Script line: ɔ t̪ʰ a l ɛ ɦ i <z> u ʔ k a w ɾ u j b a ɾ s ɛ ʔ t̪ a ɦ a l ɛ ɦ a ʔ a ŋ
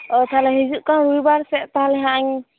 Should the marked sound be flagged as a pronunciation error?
no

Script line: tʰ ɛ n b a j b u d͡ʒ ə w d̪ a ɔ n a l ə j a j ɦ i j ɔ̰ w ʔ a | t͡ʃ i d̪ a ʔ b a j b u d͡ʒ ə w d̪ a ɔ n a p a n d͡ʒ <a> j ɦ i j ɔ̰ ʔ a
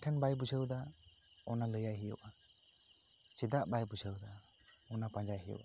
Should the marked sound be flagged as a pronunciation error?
no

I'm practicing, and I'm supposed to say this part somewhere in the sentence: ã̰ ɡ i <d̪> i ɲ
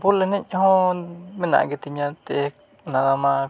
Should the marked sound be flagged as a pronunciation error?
yes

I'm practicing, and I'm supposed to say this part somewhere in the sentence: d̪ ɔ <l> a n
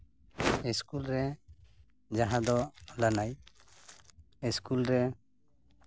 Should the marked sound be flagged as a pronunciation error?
no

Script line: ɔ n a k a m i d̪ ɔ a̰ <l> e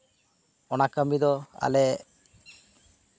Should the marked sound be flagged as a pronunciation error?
no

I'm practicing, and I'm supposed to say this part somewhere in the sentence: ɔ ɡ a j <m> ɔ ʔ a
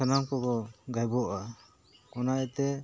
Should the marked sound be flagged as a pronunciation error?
yes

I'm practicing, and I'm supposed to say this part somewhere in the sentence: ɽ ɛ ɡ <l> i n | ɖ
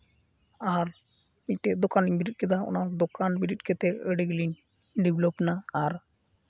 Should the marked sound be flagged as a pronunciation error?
no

